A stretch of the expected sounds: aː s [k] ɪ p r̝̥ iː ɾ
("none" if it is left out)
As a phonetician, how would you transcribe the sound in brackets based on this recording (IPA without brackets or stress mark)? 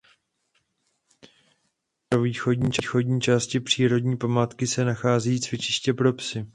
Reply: c